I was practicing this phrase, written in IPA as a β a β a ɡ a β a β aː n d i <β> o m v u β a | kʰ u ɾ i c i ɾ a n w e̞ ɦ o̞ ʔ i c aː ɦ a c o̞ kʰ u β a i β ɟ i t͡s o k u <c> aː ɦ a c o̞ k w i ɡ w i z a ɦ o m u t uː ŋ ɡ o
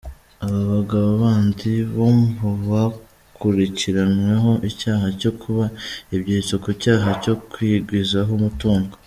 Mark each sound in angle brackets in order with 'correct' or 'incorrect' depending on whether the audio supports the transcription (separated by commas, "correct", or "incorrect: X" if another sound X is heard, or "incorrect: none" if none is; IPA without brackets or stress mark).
correct, correct